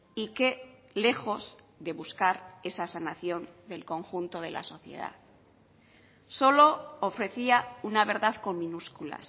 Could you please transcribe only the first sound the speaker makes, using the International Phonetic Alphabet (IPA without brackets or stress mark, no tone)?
i